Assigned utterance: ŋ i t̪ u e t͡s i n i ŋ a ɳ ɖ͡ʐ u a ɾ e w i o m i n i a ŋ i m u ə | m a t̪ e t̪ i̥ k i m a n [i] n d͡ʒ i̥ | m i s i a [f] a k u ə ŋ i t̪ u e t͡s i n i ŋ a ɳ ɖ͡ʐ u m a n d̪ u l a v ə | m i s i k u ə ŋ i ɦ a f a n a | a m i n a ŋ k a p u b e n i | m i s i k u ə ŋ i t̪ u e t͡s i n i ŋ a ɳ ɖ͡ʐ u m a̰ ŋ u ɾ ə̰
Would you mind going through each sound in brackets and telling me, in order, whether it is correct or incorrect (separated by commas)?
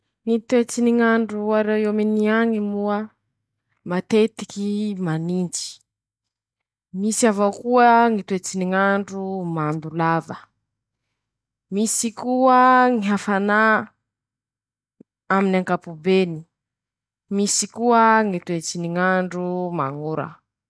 correct, incorrect